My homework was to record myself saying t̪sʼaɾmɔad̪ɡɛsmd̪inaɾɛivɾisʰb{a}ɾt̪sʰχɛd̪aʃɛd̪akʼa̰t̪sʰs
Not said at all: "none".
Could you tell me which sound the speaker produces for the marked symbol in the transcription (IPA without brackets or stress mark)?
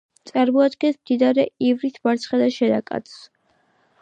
a